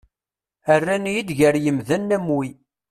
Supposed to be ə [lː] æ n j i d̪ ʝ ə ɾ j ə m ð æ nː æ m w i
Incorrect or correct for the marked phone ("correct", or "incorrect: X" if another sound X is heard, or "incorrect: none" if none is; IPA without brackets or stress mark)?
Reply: incorrect: rː